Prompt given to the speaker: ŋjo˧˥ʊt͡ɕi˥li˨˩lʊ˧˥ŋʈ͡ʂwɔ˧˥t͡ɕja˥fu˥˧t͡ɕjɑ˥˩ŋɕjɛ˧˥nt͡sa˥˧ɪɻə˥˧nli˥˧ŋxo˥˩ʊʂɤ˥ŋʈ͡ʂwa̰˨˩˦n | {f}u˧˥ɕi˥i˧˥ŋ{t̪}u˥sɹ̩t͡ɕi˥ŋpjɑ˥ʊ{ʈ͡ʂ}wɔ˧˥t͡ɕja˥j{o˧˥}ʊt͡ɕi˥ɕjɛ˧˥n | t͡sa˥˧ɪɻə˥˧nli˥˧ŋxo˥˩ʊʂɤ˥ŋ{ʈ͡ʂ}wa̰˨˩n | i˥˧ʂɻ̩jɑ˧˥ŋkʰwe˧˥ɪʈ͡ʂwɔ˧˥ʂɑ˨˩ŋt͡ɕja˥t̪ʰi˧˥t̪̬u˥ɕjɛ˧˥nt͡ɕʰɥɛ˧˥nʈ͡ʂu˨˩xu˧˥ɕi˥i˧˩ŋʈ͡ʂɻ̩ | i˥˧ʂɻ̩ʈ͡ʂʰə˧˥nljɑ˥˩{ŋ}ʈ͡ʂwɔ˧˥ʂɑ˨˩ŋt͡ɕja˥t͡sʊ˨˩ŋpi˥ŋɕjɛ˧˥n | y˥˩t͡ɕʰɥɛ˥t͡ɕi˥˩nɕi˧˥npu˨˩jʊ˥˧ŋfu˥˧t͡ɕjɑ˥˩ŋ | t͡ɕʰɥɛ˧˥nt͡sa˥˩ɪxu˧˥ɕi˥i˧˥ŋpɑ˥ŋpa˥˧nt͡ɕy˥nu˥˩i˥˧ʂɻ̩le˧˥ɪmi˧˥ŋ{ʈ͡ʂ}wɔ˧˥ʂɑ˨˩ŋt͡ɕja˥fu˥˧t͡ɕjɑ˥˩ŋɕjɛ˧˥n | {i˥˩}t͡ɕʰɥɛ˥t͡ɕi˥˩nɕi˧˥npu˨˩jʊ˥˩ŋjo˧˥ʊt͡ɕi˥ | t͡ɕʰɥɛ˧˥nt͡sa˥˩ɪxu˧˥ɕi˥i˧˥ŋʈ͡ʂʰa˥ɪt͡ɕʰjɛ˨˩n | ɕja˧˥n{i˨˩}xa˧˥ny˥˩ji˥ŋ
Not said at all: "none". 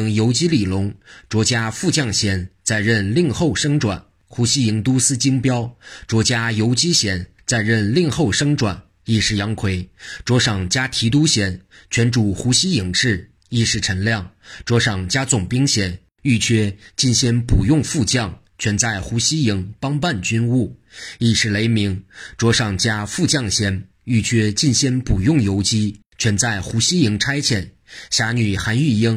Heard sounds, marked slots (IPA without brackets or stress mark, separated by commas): x, t̪, ʈ͡ʂ, o˧˥, ʈ͡ʂ, ŋ, ʈ͡ʂ, y˥˩, y˨˩